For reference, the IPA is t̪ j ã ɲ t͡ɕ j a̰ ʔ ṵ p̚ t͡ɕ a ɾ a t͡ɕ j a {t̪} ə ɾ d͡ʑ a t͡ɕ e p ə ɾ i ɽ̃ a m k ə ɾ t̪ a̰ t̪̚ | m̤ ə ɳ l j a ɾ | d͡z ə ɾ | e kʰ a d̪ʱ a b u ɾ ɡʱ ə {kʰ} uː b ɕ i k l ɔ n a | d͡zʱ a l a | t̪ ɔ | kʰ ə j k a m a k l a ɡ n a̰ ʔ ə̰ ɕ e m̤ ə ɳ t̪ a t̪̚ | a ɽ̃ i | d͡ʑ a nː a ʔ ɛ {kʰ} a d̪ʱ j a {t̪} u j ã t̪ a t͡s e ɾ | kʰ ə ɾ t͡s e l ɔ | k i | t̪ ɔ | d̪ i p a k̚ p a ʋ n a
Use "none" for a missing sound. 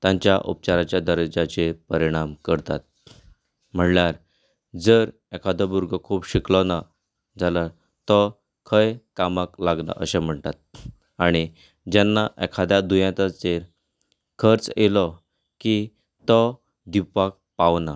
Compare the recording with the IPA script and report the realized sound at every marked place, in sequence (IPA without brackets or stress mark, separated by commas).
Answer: d̪, kʰ, kʰ, d̪